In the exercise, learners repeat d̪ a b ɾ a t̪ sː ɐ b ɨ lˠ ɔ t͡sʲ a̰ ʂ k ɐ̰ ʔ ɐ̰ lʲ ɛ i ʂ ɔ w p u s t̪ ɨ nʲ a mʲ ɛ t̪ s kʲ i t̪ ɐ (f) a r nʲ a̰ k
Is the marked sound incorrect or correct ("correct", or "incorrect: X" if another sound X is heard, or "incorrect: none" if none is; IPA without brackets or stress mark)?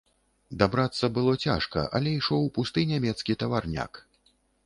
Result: incorrect: v